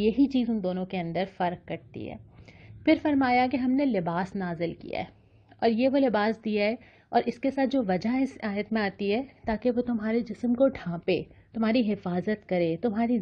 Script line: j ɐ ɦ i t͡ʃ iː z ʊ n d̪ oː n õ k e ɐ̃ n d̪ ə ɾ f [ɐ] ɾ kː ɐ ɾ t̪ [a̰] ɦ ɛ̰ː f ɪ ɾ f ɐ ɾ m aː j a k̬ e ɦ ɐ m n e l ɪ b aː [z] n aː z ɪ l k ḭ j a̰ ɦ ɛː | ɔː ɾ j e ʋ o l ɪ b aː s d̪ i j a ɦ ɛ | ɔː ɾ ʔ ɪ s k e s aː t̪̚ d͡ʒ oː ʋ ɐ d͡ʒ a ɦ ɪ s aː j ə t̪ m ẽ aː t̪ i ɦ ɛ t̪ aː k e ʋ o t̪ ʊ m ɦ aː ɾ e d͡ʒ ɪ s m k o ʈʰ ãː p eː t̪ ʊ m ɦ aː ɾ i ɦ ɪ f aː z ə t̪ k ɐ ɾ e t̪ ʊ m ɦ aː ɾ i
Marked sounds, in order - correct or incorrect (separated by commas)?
correct, incorrect, incorrect